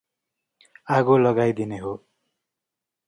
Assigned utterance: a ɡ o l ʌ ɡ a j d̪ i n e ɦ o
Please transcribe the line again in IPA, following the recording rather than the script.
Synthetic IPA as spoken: a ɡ o l ʌ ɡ a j d̪ i n e ɦ o